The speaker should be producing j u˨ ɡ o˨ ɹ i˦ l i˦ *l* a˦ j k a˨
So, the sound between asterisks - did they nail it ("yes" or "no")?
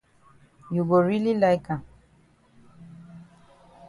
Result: yes